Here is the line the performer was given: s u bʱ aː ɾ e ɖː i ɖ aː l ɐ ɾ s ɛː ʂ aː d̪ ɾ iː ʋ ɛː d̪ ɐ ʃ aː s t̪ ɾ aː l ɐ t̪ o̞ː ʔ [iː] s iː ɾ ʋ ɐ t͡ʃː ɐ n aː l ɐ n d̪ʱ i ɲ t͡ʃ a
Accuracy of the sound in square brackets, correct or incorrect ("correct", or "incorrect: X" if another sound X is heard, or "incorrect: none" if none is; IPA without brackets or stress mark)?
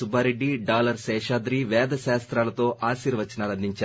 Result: incorrect: aː